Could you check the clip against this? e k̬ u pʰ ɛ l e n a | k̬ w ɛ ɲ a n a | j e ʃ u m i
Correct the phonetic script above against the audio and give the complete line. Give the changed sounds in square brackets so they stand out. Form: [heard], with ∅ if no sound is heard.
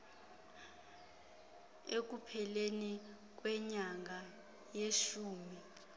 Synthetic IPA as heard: e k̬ u pʰ ɛ l e n [i] | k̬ w ɛ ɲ a [ŋ] a | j e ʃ [uː] m i